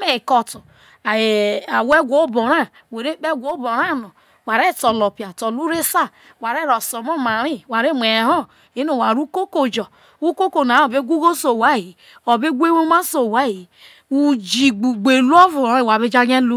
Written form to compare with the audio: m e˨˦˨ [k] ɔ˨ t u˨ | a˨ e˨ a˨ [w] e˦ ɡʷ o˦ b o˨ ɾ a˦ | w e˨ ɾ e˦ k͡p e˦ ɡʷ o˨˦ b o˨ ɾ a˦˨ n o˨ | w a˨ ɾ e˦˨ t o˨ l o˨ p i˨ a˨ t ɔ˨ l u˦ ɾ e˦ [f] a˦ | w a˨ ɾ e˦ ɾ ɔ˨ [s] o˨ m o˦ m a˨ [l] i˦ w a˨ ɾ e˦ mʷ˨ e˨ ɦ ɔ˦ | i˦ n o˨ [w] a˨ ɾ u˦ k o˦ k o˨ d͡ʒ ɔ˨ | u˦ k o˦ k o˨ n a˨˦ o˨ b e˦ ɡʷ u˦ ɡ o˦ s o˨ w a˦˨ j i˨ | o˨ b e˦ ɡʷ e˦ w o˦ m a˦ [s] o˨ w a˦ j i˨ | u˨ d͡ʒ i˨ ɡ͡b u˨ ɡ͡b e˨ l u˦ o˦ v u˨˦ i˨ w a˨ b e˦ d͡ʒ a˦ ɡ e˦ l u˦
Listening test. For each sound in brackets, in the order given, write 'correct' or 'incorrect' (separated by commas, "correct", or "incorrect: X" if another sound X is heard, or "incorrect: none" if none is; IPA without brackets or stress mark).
correct, correct, incorrect: s, correct, incorrect: ɾ, correct, correct